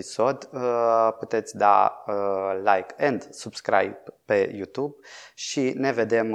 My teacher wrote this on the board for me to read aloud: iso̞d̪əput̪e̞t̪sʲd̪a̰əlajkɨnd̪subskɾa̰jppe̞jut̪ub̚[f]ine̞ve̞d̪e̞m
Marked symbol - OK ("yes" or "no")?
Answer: no